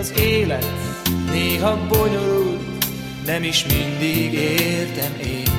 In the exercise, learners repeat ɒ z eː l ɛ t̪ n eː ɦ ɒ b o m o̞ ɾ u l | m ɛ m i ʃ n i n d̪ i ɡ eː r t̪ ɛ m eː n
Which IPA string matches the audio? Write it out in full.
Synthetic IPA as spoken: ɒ z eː l ɛ t̪ n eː ɦ ɒ b o ɲ o̞ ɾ u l | n ɛ m i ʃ m i n d̪ i ɡ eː r t̪ ɛ m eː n